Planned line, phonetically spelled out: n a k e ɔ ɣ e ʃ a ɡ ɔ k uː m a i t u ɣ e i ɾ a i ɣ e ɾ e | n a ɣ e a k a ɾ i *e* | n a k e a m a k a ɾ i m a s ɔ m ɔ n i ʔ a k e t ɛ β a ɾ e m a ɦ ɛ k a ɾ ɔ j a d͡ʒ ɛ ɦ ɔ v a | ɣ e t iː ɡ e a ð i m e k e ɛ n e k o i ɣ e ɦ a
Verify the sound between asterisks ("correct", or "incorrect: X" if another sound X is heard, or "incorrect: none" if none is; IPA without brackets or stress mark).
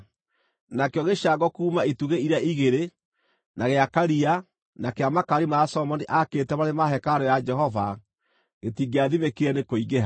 incorrect: a